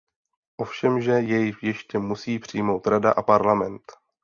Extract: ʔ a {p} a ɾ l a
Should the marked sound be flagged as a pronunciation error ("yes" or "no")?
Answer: no